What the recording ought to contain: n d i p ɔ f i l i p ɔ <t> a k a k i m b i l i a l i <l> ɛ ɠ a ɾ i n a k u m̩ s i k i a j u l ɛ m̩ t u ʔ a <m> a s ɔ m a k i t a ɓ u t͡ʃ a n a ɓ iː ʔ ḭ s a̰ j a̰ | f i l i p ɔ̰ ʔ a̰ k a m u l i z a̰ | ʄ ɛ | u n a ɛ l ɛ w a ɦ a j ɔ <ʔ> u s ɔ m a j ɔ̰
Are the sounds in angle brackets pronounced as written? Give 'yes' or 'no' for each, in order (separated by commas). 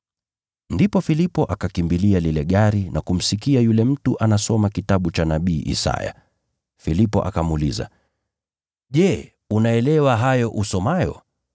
no, yes, no, yes